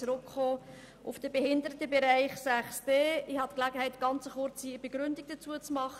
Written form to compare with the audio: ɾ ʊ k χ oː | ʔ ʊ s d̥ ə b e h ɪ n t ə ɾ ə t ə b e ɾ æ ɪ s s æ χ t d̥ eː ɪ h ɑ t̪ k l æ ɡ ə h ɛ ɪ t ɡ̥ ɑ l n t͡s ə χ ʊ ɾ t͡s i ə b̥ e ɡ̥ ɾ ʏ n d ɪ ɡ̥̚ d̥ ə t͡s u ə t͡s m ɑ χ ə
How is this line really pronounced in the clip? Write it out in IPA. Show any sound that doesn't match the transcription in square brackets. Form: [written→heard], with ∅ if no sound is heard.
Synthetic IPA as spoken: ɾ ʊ k χ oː | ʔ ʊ [s→f] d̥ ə b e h ɪ n [t→d] ə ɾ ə t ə b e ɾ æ ɪ [s→χ] s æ χ [t→s] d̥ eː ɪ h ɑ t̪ k l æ ɡ ə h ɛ ɪ t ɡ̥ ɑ [l→∅] n t͡s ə χ ʊ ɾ t͡s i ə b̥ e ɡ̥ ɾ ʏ n d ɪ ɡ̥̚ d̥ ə t͡s u ə t͡s m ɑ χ ə